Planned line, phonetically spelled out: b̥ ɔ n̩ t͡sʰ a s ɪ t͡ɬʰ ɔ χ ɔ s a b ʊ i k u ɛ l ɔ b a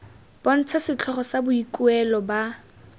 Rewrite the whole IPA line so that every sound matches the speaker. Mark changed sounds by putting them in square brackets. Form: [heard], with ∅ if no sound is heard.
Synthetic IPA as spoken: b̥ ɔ n̩ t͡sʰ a s ɪ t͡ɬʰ ɔ χ ɔ s a b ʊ i k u ɛ l ɔ b a